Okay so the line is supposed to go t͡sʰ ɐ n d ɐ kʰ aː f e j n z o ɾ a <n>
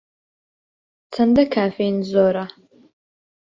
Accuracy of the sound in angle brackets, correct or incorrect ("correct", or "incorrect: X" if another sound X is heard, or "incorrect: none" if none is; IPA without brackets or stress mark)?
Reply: incorrect: none